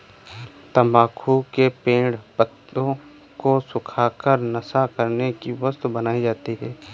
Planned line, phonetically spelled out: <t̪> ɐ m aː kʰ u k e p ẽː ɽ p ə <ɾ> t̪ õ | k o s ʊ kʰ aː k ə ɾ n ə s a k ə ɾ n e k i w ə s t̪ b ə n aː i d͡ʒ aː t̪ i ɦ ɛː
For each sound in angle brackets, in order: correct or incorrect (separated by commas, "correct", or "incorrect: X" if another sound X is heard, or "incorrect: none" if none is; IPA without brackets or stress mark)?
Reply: correct, incorrect: none